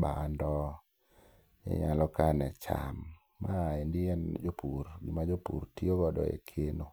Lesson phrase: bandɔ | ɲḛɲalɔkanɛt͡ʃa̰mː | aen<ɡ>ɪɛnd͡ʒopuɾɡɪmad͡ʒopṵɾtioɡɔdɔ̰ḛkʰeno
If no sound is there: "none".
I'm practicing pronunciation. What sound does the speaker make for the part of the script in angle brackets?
d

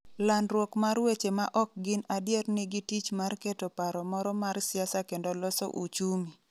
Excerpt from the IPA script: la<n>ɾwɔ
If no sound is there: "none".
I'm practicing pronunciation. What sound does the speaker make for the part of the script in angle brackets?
n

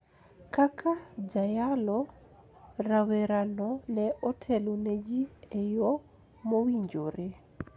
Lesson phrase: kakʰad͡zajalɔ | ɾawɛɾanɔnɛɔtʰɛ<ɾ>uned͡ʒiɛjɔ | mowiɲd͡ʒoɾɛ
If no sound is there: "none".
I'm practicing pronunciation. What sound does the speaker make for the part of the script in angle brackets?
l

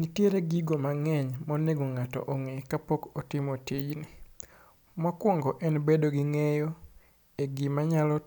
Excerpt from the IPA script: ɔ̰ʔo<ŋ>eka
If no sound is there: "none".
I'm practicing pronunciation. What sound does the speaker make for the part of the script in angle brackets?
ŋ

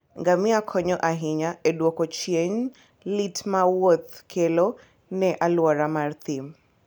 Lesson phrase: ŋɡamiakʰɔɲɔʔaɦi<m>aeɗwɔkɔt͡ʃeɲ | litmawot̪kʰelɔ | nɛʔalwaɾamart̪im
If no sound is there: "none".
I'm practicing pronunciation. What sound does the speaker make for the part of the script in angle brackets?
ɲ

